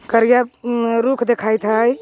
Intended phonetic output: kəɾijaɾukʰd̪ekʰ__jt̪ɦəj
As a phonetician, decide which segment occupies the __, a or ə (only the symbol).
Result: a